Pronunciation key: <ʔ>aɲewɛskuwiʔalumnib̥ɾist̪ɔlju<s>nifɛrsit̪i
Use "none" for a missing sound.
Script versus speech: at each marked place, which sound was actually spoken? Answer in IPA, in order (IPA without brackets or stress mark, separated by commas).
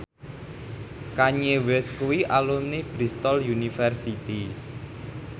k, none